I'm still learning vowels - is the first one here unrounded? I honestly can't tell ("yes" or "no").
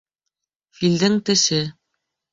yes